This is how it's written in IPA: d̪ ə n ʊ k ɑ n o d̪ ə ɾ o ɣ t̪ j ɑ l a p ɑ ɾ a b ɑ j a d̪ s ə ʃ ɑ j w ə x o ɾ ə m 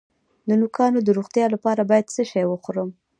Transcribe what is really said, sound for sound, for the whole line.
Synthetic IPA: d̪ ə n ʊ k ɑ n o d̪ ə ɾ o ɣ t̪ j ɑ l a p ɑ ɾ a b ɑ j a d̪ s ə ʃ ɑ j w ə x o ɾ ə m